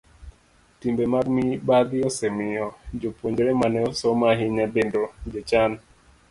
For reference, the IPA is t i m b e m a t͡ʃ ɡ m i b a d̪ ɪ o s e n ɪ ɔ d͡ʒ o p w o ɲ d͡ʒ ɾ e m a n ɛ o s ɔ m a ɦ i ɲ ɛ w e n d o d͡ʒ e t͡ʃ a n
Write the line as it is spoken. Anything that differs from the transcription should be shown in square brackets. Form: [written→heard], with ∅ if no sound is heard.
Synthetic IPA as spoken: t i m b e m a [t͡ʃ→∅] ɡ m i b a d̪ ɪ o s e [n→m] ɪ ɔ d͡ʒ o p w o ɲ d͡ʒ ɾ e m a n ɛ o s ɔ m a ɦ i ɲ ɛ [w→b] e n d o d͡ʒ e t͡ʃ a n